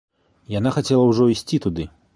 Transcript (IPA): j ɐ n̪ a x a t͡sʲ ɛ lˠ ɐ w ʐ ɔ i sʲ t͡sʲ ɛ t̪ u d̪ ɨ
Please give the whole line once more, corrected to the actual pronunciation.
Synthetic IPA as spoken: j a n̪ a x a t͡sʲ ɛ lˠ ɐ w ʐ ɔ i sʲ t͡sʲ i t̪ u d̪ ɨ